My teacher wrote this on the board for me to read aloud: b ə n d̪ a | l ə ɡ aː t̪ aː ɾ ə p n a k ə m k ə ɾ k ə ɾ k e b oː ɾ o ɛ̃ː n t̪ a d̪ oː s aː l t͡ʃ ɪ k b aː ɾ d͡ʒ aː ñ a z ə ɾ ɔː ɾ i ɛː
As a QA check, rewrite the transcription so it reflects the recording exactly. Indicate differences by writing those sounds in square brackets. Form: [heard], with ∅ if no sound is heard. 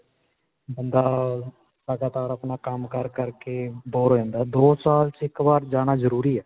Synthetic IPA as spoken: b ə n d̪ a | l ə ɡ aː t̪ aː ɾ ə p n a k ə m k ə ɾ k ə ɾ k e b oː ɾ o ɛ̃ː n [d̪] a d̪ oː s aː l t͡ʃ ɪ k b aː ɾ d͡ʒ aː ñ a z ə ɾ [uː] ɾ i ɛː

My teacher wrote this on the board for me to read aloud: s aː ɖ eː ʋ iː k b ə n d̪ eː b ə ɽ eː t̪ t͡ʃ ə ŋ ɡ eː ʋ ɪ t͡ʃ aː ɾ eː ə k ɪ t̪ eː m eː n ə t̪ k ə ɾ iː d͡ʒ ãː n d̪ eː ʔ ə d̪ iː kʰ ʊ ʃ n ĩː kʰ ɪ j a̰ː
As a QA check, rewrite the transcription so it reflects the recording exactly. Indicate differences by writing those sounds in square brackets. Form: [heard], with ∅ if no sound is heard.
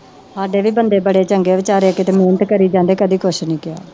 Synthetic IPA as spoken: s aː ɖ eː ʋ iː [∅] b ə n d̪ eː b ə ɽ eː [∅] t͡ʃ ə ŋ ɡ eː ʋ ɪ t͡ʃ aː ɾ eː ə k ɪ t̪ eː m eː n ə t̪ k ə ɾ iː d͡ʒ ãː n d̪ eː [k] ə d̪ iː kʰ ʊ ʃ n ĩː [k] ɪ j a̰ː

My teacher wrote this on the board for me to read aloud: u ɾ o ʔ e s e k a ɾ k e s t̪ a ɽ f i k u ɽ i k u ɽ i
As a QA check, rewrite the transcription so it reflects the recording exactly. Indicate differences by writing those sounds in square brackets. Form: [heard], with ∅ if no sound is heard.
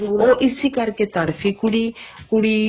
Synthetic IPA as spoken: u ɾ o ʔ [i] s [i] k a ɾ k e [∅] t̪ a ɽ f i k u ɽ i k u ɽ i

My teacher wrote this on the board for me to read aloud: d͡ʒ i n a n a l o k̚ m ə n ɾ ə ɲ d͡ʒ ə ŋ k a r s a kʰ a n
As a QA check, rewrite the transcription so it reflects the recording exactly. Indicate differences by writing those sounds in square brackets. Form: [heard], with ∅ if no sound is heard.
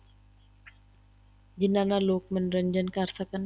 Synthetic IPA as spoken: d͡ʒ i n a n a l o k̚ m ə n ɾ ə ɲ d͡ʒ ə [n] k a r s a [k] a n

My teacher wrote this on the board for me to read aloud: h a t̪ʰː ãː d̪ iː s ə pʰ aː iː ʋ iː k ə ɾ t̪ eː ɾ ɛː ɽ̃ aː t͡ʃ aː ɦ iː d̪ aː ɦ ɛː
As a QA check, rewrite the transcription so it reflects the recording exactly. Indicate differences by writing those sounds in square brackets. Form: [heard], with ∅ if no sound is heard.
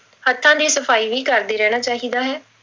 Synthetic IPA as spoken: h [ə] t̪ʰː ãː d̪ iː s ə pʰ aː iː ʋ iː k ə ɾ [d̪] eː ɾ ɛː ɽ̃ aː t͡ʃ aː ɦ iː d̪ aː ɦ ɛː

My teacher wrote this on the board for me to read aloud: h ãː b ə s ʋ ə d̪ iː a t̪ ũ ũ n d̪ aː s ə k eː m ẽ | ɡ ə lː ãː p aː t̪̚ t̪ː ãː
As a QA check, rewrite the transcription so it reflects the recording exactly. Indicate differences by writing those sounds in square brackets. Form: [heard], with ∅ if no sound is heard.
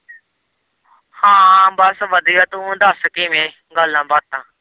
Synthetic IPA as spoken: h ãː b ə s ʋ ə d̪ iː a t̪ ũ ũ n d̪ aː s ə k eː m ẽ | ɡ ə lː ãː [b] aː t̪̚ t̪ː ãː

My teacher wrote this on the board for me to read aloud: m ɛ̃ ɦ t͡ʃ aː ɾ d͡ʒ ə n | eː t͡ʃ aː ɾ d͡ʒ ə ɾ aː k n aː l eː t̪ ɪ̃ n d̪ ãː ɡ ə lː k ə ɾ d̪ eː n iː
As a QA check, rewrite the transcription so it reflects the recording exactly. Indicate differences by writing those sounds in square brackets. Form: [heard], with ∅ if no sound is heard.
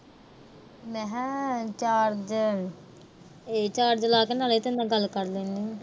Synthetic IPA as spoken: m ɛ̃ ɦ t͡ʃ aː ɾ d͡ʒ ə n | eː t͡ʃ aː ɾ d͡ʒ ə [l] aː k n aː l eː t̪ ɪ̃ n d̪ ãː ɡ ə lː k ə ɾ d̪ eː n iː

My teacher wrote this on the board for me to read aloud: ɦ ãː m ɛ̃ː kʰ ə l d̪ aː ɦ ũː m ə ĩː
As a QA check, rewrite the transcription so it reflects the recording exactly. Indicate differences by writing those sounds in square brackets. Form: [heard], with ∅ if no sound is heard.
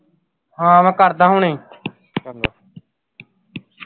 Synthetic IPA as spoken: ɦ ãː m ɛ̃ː [k] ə [ɾ] d̪ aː ɦ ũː [n] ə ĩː

